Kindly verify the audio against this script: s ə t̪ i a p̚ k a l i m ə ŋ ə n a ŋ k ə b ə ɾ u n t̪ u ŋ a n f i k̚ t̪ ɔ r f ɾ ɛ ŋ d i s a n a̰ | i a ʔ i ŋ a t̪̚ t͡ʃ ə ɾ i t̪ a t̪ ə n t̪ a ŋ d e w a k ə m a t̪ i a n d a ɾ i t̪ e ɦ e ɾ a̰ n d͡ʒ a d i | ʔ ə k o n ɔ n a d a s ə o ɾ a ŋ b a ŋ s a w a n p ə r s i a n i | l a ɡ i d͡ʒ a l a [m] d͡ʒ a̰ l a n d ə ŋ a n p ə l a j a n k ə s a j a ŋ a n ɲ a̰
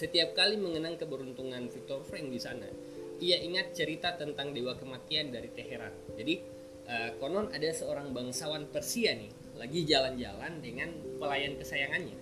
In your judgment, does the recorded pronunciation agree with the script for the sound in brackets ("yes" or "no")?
no